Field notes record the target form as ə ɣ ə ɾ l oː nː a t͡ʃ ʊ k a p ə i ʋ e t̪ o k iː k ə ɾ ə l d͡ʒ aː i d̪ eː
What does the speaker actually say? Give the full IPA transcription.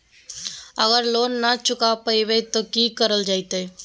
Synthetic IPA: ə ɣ ə ɾ l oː nː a t͡ʃ ʊ k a p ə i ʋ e t̪ o k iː k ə ɾ ə l d͡ʒ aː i t̪ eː